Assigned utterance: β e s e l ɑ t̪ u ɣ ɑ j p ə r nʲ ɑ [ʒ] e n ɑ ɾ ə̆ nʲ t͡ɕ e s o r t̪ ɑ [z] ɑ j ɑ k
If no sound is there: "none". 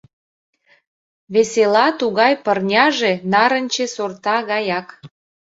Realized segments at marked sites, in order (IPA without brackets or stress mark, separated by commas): ʒ, ɣ